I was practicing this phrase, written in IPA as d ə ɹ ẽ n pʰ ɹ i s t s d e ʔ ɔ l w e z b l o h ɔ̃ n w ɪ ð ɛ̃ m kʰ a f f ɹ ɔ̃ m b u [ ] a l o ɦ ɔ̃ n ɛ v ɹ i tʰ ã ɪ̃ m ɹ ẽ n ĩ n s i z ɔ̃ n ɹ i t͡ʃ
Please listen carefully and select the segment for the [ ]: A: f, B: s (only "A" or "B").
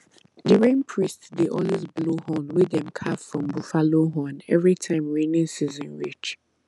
A